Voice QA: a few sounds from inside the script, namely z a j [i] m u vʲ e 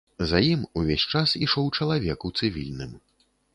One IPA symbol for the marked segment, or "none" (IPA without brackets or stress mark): i